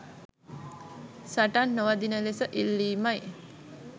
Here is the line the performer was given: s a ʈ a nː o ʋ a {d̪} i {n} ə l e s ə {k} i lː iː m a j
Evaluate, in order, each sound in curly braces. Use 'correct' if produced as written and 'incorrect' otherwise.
correct, correct, incorrect

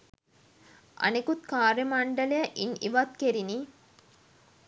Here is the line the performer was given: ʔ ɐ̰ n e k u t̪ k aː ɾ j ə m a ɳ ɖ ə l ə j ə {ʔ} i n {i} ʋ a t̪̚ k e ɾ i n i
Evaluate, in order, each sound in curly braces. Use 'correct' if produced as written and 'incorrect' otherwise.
correct, correct

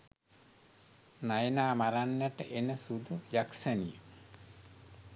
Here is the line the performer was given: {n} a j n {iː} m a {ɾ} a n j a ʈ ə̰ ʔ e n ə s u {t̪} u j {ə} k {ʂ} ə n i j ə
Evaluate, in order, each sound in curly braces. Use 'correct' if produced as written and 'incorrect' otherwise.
correct, incorrect, correct, incorrect, incorrect, incorrect

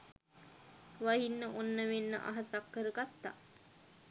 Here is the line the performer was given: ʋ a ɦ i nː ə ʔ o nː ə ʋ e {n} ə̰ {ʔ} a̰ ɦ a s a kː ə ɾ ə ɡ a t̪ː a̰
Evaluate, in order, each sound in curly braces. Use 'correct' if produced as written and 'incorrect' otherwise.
incorrect, correct

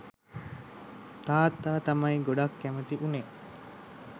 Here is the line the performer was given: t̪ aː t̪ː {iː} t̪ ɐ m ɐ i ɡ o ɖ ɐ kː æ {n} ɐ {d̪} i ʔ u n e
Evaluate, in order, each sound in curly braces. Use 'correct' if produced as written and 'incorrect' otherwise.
incorrect, incorrect, incorrect

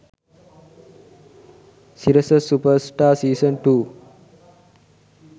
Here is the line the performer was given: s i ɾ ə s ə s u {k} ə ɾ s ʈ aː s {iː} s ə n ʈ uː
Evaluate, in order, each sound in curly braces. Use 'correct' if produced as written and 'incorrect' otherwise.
incorrect, correct

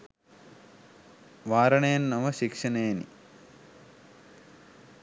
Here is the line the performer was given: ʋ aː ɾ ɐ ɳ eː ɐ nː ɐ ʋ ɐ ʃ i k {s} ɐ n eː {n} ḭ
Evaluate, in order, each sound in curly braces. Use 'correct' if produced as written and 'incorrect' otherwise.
incorrect, correct

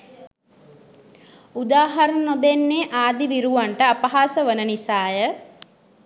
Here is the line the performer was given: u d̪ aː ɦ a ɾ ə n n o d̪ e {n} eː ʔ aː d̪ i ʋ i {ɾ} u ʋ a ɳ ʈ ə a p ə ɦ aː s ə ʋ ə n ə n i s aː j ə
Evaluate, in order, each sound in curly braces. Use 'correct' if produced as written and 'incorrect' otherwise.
incorrect, correct

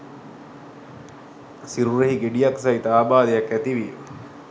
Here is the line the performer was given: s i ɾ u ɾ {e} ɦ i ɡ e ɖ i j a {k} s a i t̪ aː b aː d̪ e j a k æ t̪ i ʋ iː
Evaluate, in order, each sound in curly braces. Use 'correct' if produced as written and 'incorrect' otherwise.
correct, correct

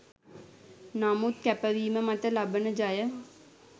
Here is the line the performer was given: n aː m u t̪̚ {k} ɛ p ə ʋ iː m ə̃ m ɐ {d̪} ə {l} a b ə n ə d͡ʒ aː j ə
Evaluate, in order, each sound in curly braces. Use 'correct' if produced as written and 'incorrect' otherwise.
correct, incorrect, correct

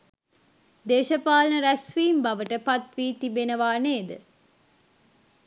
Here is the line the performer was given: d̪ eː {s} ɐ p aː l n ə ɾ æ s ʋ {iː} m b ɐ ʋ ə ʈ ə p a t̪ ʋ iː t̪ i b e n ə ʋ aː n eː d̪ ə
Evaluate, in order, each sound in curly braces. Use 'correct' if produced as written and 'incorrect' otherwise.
incorrect, correct

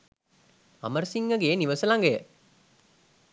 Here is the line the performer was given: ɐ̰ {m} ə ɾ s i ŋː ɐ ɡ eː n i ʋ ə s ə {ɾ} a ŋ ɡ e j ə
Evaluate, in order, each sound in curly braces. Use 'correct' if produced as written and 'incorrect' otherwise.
correct, incorrect

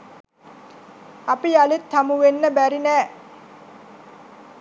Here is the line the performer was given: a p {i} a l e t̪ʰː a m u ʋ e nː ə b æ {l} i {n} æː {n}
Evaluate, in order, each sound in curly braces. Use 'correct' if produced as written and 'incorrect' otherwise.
correct, incorrect, correct, incorrect

